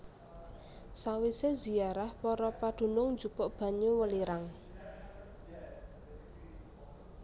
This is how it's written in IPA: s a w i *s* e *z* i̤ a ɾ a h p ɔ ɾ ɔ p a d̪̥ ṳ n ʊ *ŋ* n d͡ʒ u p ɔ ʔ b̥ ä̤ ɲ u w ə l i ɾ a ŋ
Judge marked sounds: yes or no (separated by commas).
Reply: yes, yes, yes